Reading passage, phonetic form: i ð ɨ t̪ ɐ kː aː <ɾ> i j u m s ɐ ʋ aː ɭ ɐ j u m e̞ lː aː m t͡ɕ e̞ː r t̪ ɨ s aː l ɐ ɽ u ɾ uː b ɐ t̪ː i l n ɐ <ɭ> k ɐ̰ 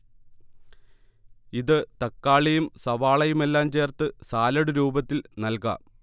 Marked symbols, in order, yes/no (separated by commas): no, no